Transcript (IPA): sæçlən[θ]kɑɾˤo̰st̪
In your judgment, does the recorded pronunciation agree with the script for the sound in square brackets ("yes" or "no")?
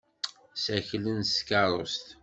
no